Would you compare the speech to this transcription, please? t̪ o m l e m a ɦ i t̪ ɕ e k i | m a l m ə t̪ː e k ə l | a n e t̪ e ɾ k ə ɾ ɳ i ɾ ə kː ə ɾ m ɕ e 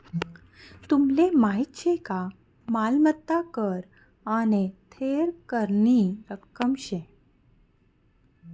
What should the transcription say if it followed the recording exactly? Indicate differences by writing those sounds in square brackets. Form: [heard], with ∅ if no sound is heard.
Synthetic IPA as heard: t̪ [u] m l e m a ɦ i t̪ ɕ e k [a] | m a l m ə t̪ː [a] k ə [ɾ] | a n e [t̪ʰ] e ɾ k ə ɾ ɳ i ɾ ə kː ə [∅] m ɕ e